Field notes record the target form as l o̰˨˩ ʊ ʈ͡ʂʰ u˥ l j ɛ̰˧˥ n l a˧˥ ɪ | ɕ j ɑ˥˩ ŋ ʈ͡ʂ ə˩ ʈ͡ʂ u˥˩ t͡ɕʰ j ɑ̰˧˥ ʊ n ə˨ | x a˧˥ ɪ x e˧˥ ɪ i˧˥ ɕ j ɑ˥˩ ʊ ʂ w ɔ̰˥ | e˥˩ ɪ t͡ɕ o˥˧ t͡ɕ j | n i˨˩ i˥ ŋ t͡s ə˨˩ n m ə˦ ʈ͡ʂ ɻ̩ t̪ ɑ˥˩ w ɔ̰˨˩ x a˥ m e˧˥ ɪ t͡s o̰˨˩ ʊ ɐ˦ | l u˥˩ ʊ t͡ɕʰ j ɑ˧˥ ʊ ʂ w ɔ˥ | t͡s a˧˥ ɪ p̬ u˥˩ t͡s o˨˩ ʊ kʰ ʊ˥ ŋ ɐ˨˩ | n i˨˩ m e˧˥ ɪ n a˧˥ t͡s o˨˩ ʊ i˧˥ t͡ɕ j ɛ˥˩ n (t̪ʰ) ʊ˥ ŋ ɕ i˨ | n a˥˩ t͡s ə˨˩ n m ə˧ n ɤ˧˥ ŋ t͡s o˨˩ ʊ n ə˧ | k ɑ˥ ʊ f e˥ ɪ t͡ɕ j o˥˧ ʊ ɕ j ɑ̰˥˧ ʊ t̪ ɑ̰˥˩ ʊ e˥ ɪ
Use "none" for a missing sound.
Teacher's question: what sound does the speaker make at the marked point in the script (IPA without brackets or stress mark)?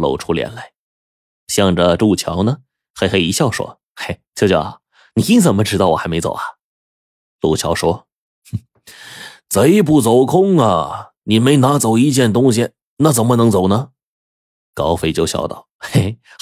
t̪